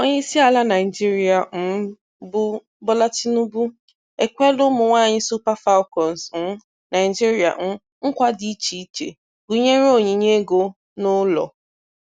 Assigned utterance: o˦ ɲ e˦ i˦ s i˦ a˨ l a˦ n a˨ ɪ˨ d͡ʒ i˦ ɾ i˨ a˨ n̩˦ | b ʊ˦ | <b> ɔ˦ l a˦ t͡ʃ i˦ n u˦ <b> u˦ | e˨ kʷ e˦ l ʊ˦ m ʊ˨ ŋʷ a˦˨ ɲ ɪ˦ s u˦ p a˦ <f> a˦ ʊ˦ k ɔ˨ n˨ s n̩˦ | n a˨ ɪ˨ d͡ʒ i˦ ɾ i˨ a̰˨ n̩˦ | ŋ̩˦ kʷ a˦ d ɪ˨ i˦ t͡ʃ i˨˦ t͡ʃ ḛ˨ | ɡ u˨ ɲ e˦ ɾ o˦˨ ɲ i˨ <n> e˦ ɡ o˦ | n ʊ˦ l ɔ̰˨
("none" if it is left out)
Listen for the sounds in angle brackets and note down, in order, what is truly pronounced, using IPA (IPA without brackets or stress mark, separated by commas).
b, b, f, ɲ